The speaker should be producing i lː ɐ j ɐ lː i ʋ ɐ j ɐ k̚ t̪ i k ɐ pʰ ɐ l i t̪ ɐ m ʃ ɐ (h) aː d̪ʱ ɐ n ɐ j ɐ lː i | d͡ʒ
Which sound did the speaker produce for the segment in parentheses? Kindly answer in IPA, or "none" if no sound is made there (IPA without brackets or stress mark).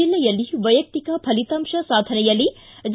s